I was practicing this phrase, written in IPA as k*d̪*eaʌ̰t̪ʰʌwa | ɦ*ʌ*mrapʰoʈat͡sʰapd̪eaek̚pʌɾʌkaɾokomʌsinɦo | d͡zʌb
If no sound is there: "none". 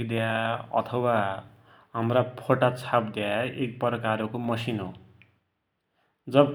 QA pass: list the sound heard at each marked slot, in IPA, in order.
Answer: d̪, a

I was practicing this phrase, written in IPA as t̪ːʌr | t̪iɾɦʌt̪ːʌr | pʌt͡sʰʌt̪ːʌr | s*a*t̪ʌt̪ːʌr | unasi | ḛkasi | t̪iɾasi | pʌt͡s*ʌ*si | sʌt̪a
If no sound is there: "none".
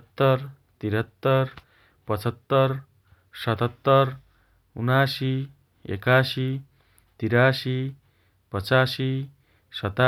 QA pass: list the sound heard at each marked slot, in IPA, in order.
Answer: ʌ, a

